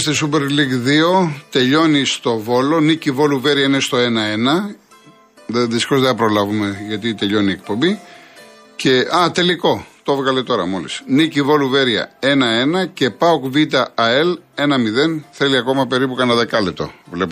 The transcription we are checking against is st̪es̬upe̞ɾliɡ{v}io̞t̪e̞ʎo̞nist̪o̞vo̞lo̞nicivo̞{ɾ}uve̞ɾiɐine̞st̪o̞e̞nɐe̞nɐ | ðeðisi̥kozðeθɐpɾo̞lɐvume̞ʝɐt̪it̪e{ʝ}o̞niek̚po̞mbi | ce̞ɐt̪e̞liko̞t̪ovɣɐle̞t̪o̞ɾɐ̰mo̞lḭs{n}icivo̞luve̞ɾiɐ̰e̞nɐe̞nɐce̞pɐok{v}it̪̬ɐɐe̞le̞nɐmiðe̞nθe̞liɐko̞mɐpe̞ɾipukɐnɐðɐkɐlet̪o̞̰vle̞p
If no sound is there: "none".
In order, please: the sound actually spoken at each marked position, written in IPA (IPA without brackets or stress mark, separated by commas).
ð, l, ʎ, n, v